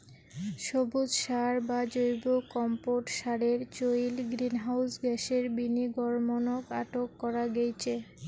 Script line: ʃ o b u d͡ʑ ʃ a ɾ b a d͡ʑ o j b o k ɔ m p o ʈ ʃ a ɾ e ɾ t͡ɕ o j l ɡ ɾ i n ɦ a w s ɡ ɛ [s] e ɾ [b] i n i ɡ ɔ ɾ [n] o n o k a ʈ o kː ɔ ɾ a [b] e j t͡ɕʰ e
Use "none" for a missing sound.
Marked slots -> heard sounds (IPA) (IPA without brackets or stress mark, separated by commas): ʃ, b, m, ɡ